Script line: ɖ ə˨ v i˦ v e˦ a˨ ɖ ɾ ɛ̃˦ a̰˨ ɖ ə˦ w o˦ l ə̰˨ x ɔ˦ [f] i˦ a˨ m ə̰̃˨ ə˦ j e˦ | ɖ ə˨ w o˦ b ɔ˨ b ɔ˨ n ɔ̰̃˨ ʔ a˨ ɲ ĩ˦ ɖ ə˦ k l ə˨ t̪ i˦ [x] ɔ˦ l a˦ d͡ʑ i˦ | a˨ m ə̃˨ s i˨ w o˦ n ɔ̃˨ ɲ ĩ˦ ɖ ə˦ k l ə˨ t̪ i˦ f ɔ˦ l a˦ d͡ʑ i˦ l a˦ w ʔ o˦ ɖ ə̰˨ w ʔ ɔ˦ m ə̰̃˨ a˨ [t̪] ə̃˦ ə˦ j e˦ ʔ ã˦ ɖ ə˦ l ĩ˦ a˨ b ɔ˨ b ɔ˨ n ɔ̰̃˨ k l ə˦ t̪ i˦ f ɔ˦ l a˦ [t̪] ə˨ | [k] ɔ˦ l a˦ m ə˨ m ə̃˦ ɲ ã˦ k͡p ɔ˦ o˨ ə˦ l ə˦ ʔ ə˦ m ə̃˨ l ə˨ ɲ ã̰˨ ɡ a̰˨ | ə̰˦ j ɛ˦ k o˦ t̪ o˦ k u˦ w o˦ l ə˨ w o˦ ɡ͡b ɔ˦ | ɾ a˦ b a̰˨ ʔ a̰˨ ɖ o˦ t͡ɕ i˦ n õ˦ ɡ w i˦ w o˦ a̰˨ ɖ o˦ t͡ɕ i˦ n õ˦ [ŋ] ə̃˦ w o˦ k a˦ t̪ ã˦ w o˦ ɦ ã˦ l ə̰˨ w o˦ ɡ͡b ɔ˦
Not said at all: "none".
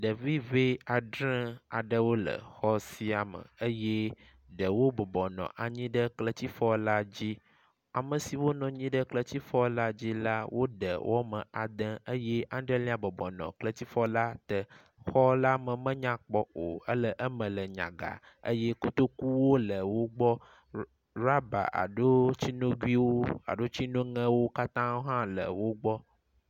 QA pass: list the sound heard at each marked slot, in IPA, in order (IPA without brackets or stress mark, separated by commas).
s, f, d̪, t̪, x, ŋ